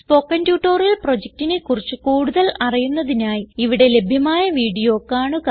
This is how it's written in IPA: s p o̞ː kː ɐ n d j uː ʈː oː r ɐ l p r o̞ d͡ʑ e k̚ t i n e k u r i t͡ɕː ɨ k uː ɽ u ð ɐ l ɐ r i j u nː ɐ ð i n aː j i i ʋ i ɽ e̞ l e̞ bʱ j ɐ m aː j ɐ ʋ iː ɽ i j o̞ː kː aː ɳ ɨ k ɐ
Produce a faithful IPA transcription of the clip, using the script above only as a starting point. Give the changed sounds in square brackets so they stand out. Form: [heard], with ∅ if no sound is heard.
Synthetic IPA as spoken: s p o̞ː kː ɐ n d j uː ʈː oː r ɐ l p r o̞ d͡ʑ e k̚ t i n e k u r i t͡ɕː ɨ k uː ɽ u ð ɐ l ɐ r i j u nː ɐ ð i n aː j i i ʋ i ɽ e̞ l e̞ bʱ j ɐ m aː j ɐ ʋ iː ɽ i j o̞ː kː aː ɳ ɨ k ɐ